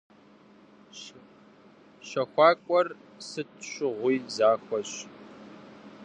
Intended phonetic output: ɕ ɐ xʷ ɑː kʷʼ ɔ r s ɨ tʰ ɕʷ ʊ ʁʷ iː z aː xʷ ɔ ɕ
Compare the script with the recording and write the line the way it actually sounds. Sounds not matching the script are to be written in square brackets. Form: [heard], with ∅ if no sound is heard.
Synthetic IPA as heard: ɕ ɐ xʷ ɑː kʷʼ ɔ r s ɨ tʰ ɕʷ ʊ ʁʷ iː z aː xʷ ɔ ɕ